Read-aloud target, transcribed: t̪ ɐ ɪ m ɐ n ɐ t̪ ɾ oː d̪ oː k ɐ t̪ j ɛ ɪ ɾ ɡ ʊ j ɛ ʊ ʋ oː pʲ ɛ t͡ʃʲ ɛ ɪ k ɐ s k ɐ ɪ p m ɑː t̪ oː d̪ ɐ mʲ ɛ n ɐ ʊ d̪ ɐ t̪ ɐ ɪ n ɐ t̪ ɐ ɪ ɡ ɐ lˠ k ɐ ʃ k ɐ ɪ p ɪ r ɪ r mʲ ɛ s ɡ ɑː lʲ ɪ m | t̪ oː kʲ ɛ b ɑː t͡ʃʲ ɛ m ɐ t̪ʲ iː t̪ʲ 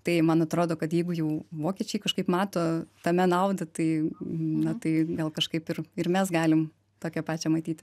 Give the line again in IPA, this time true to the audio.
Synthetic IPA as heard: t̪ ɐ ɪ m ɐ n ɐ t̪ ɾ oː d̪ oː k ɐ t̪ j ɛ ɪ ɡ ʊ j ɛ ʊ ʋ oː kʲ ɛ t͡ʃʲ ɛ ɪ k ɐ ʃ k ɐ ɪ p m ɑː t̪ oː t̪ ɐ mʲ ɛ n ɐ ʊ d̪ ɐ t̪ ɐ ɪ n ɐ t̪ ɐ ɪ ɡ ɐ lˠ k ɐ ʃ k ɐ ɪ p ɪ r ɪ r mʲ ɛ s ɡ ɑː lʲ ɪ m | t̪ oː kʲ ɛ p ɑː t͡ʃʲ ɛ m ɐ t̪ʲ iː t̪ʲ

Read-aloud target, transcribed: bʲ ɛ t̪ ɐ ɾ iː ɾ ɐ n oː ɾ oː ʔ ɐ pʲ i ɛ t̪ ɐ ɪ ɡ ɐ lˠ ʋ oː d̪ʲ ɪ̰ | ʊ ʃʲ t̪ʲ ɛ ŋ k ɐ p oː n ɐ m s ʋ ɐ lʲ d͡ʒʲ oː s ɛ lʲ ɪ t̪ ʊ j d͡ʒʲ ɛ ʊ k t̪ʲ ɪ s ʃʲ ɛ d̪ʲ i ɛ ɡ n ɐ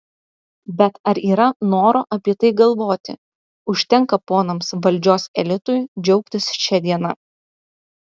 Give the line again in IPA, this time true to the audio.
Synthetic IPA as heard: bʲ ɛ t̪ ɐ ɾ iː ɾ ɐ n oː ɾ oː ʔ ɐ pʲ i ɛ t̪ ɐ ɪ ɡ ɐ lˠ ʋ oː t̪ʲ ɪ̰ | ʊ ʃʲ t̪ʲ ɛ ŋ k ɐ p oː n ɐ m s ʋ ɐ lʲ d͡ʒʲ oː s ɛ lʲ ɪ t̪ ʊ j d͡ʒʲ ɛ ʊ k t̪ʲ ɪ s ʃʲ ɛ d̪ʲ i ɛ n ɐ

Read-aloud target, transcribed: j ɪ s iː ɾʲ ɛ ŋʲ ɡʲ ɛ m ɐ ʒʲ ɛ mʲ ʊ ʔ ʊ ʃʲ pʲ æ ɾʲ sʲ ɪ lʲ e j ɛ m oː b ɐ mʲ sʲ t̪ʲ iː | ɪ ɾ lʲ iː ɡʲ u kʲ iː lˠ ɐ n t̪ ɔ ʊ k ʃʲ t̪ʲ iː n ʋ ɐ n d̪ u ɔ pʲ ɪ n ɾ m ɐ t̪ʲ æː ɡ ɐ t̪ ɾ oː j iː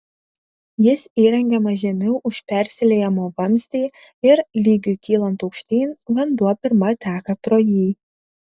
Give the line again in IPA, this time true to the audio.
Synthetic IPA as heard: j ɪ s iː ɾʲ ɛ ŋʲ ɡʲ ɛ m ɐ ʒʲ ɛ mʲ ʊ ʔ ʊ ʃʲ pʲ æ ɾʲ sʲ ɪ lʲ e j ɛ m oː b ɐ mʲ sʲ t̪ʲ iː | ɪ ɾ lʲ iː ɡʲ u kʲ iː lˠ ɐ n t̪ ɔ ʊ k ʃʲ t̪ʲ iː n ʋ ɐ n d̪ u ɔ pʲ ɪ ɾ m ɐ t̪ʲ æː k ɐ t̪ ɾ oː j iː

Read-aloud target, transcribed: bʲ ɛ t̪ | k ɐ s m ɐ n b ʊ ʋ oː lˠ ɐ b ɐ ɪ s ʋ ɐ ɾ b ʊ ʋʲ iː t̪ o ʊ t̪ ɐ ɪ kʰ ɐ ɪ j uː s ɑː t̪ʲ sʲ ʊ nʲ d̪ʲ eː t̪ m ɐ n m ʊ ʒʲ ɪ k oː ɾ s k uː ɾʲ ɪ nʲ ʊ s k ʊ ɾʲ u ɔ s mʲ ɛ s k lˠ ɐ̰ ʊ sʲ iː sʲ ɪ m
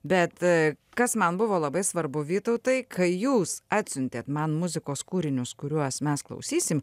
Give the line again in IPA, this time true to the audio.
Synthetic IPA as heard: bʲ ɛ t̪ | k ɐ s m ɐ n b ʊ ʋ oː lˠ ɐ b ɐ ɪ s ʋ ɐ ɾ b ʊ ʋʲ iː t̪ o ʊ t̪ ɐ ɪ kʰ ɐ ɪ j uː s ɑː t̪ʲ sʲ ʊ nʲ t̪ʲ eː t̪ m ɐ n m ʊ zʲ ɪ k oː s k uː ɾʲ ɪ nʲ ʊ s k ʊ ɾʲ u ɔ s mʲ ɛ s k lˠ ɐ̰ ʊ sʲ iː sʲ ɪ m

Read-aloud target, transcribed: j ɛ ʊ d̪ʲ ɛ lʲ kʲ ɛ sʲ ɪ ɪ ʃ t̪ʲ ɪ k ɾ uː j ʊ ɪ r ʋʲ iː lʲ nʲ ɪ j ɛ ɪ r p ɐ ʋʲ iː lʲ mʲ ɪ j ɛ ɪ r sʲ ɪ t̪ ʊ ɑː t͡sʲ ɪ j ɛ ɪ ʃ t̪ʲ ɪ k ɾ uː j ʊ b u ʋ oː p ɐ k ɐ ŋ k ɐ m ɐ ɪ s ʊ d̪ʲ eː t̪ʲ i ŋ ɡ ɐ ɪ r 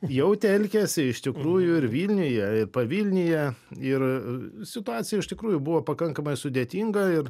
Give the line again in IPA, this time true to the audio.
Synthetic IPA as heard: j ɛ ʊ t̪ʲ ɛ lʲ kʲ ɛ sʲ ɪ ɪ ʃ t̪ʲ ɪ k ɾ uː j ʊ ɪ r ʋʲ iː lʲ nʲ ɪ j ɛ ɪ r p ɐ ʋʲ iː lʲ nʲ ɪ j ɛ ɪ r sʲ ɪ t̪ ʊ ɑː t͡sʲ ɪ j ɛ ɪ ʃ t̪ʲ ɪ k ɾ uː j ʊ b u ʋ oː p ɐ k ɐ ŋ k ɐ m ɐ ɪ s ʊ d̪ʲ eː t̪ʲ i ŋ ɡ ɐ ɪ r

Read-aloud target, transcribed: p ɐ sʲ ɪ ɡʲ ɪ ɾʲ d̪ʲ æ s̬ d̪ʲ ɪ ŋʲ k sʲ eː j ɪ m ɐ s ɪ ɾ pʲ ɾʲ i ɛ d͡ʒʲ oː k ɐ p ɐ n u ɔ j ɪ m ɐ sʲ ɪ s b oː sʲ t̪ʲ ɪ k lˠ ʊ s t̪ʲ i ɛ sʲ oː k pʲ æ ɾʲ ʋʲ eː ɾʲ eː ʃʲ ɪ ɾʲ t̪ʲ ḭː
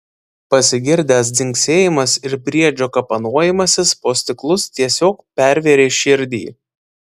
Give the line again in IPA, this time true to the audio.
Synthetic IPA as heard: p ɐ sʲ ɪ ɡʲ ɪ ɾʲ d̪ʲ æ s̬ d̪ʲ ɪ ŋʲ k sʲ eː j ɪ m ɐ s ɪ ɾ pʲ ɾʲ i ɛ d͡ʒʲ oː k ɐ p ɐ n u ɔ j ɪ m ɐ sʲ ɪ s p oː sʲ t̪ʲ ɪ k lˠ ʊ s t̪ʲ i ɛ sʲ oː k pʲ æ ɾʲ ʋʲ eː ɾʲ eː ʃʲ ɪ ɾʲ d̪ʲ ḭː

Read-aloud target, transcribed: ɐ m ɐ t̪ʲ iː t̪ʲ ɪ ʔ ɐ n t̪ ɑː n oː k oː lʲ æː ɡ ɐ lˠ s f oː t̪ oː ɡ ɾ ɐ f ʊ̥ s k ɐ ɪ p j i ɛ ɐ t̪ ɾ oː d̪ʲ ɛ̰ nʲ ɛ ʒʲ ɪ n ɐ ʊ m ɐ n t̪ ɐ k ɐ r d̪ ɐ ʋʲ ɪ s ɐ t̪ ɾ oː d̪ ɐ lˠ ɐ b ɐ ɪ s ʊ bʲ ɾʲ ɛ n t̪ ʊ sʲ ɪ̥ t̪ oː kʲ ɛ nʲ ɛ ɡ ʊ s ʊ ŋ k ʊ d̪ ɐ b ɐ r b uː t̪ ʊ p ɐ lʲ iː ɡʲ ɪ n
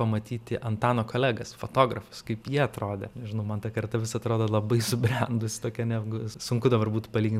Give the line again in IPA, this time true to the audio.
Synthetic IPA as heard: ɐ m ɐ t̪ʲ iː t̪ʲ ɪ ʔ ɐ n t̪ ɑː n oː k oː lʲ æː ɡ ɐ s f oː t̪ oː ɡ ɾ ɐ f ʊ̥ s k ɐ ɪ p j i ɛ ɐ t̪ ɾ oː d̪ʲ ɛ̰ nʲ ɛ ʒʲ ɪ n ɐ ʊ m ɐ n t̪ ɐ k ɐ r t̪ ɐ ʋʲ ɪ s ɐ t̪ ɾ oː d̪ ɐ lˠ ɐ b ɐ ɪ s ʊ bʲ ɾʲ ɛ n d̪ ʊ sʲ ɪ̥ t̪ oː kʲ ɛ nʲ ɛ ɡ ʊ s ʊ ŋ k ʊ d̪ ɐ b ɐ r b uː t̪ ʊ p ɐ lʲ iː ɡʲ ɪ n

